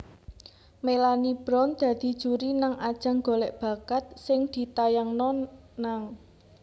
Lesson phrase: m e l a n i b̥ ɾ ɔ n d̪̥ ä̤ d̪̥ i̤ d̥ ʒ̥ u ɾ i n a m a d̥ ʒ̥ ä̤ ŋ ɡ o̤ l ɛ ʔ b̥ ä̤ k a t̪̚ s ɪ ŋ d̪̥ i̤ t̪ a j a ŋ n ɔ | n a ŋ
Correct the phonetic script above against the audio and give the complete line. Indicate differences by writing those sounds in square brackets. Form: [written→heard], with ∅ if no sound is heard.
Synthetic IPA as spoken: m e l a n i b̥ ɾ ɔ n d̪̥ ä̤ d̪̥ i̤ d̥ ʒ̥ u ɾ i n a [m→ŋ] a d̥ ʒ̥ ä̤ ŋ ɡ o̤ l ɛ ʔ b̥ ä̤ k a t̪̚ s ɪ ŋ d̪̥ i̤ t̪ a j a ŋ n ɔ | n a ŋ